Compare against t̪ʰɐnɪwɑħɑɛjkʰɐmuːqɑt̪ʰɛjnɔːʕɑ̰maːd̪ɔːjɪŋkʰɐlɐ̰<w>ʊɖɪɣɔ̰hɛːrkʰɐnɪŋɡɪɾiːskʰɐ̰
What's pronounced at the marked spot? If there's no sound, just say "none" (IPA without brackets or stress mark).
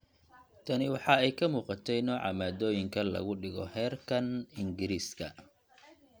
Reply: ɣ